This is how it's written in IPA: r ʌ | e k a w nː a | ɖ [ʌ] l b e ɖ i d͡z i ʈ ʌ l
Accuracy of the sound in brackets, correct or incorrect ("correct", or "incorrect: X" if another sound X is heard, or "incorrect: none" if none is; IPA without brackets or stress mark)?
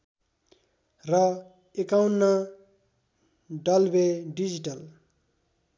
correct